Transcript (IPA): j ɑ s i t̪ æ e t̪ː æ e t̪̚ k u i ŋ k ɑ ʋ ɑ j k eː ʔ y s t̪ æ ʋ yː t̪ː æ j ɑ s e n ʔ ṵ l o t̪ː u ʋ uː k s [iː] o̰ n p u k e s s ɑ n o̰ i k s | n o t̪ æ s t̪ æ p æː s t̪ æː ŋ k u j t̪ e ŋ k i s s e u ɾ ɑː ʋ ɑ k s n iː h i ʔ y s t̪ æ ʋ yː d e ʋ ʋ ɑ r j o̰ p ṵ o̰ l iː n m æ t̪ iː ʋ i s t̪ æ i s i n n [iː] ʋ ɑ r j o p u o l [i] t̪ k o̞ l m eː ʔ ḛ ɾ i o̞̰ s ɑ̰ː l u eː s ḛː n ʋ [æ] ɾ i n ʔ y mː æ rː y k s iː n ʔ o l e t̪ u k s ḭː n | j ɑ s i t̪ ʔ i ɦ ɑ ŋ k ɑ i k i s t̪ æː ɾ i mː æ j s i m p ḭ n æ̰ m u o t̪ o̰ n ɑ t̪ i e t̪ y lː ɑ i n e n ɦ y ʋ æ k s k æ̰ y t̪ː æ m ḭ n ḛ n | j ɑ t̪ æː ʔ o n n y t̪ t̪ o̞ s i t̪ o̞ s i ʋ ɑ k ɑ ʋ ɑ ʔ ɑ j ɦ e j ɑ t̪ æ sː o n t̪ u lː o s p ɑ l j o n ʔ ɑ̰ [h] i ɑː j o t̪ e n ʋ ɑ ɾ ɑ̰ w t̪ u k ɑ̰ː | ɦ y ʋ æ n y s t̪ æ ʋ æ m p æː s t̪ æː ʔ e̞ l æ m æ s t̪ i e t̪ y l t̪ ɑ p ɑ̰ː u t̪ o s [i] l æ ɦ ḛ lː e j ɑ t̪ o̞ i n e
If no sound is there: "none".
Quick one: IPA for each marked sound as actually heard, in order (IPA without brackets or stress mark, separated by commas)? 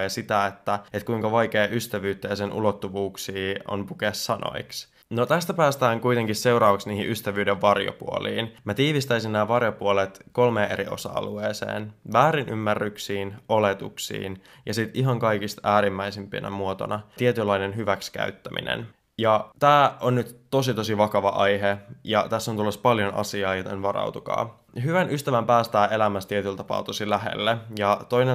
iː, æː, e, æː, s, i